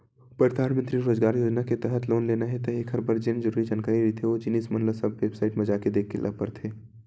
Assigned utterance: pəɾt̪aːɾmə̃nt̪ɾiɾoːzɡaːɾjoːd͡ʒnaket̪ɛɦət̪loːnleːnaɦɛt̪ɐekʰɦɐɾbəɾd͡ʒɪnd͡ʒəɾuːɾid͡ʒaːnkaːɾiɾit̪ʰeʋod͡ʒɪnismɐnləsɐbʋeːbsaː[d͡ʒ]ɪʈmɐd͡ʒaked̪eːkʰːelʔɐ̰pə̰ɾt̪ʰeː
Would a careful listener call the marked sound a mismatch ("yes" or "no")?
yes